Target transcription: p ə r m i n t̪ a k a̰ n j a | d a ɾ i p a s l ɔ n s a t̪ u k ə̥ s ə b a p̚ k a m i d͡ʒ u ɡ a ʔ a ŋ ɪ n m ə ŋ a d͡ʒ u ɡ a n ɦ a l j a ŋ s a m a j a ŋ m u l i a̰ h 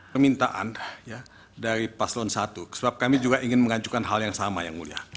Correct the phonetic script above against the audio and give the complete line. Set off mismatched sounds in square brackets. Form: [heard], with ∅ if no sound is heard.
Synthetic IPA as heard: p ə r m i n t̪ a [ʔ] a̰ n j a | d a ɾ i p a s l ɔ n s a t̪ u k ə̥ s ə b a p̚ k a m i d͡ʒ u ɡ a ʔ [i] ŋ ɪ n m ə ŋ a d͡ʒ u [k] a n ɦ a l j a ŋ s a m a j a ŋ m u l i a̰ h